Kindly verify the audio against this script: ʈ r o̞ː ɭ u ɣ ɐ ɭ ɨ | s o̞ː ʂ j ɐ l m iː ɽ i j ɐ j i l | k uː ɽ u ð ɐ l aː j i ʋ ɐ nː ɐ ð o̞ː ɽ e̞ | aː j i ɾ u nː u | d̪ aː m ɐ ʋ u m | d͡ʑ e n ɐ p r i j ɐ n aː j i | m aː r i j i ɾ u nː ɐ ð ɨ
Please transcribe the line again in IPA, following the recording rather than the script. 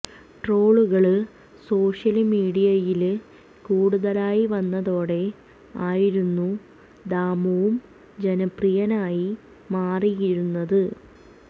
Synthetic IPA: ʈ r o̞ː ɭ u ɣ ɐ ɭ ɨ | s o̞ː ʂ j ɐ l m iː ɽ i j ɐ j i l | k uː ɽ u ð ɐ l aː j i ʋ ɐ nː ɐ ð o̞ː ɽ e̞ | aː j i ɾ u nː u | d̪ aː m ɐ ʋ u m | d͡ʑ e n ɐ p r i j ɐ n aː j i | m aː r i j i ɾ u nː ɐ ð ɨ

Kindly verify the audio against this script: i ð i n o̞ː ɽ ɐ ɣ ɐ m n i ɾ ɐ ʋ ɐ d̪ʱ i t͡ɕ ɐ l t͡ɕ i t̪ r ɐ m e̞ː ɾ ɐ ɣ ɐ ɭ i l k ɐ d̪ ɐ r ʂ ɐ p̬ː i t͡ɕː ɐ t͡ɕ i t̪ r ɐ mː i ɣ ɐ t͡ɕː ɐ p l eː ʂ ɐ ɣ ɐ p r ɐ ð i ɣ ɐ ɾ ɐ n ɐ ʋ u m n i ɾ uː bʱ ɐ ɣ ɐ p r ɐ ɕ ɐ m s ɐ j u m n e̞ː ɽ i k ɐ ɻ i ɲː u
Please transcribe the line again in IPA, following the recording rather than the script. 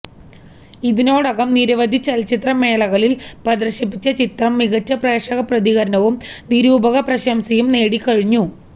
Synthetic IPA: i ð i n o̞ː ɽ ɐ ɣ ɐ m n i ɾ ɐ ʋ ɐ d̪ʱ i t͡ɕ ɐ l t͡ɕ i t̪ r ɐ m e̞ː l ɐ ɣ ɐ ɭ i l p ɐ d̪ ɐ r ɕ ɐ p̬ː i t͡ɕː ɐ t͡ɕ i t̪ r ɐ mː i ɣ ɐ t͡ɕː ɐ p r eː ʂ ɐ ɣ ɐ p r ɐ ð i ɣ ɐ ɾ ɐ n ɐ ʋ u m n i ɾ uː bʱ ɐ ɣ ɐ p r ɐ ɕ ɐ m s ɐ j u m n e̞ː ɽ i k ɐ ɻ i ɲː u

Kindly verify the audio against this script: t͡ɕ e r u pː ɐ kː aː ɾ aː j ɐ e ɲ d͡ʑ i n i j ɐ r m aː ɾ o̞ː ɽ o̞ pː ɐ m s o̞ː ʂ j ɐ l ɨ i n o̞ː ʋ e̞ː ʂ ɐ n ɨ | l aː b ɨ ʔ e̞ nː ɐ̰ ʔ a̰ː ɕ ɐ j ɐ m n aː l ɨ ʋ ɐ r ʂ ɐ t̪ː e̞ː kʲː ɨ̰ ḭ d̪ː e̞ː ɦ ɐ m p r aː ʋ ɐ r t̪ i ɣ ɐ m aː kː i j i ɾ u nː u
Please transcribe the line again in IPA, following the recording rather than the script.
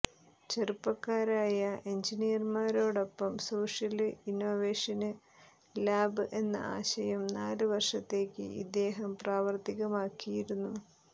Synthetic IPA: t͡ɕ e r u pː ɐ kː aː ɾ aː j ɐ e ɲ d͡ʑ i n i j ɐ r m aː ɾ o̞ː ɽ o̞ pː ɐ m s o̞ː ʂ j ɐ l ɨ i n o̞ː ʋ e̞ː ʂ ɐ n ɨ | l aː b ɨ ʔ e̞ nː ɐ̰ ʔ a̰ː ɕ ɐ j ɐ m n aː l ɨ ʋ ɐ r ʂ ɐ t̪ː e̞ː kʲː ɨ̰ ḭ d̪ː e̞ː ɦ ɐ m p r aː ʋ ɐ r t̪ i ɣ ɐ m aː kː i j i ɾ u nː u

